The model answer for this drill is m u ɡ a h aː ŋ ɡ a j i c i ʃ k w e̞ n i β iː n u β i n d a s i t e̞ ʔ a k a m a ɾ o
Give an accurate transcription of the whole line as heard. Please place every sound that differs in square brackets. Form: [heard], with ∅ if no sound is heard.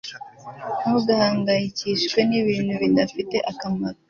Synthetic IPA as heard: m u ɡ a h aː ŋ ɡ a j i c i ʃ k w e̞ n i β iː n u β i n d a [f] i t e̞ ʔ a k a m a ɾ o